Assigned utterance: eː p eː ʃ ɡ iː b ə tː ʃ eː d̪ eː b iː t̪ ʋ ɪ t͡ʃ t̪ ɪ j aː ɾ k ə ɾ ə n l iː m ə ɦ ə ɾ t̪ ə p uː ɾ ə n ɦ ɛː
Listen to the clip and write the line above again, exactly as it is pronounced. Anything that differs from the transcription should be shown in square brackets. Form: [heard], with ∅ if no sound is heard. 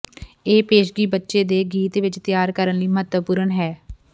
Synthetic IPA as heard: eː p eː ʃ ɡ iː b ə tː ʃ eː d̪ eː [ɡ] iː t̪ ʋ ɪ t͡ʃ t̪ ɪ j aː ɾ k ə ɾ ə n l iː m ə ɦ ə [∅] t̪ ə p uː ɾ ə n ɦ ɛː